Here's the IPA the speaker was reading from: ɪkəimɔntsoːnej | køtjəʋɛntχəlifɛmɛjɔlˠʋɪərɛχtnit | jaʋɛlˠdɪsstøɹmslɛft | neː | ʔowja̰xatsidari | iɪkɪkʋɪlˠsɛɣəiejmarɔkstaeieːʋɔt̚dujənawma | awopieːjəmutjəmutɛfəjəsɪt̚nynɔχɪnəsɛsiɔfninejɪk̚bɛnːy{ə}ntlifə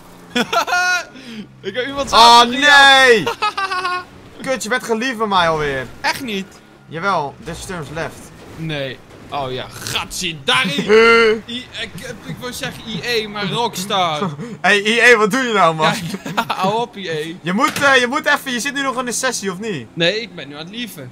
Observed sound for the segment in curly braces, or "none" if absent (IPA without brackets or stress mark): a